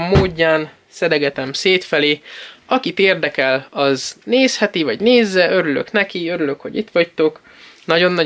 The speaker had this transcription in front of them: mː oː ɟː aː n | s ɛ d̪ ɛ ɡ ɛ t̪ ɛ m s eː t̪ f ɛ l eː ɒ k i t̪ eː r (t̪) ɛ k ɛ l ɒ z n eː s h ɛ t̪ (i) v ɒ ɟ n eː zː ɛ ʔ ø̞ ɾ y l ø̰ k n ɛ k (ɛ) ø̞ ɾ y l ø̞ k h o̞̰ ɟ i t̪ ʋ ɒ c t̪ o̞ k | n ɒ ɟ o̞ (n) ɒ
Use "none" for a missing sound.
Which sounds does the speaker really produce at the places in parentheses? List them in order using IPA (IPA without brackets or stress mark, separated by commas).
d̪, i, i, nː